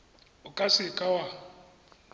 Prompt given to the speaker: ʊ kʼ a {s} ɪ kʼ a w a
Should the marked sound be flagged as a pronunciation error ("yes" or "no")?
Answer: no